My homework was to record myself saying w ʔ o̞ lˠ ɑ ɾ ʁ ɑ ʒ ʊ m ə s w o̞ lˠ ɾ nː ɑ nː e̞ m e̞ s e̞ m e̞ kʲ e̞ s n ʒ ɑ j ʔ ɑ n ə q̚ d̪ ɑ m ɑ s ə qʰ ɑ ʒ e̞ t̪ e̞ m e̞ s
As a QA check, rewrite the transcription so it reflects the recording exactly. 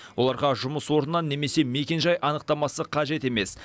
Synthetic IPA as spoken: w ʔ o̞ lˠ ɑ ɾ ʁ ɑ ʒ ʊ m ə s w o̞ ɾ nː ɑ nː e̞ m e̞ s e̞ m e̞ kʲ e̞ n ʒ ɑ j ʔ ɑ n ə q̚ t̪ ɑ m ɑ s ə qʰ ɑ ʒ e̞ t̪ e̞ m e̞ s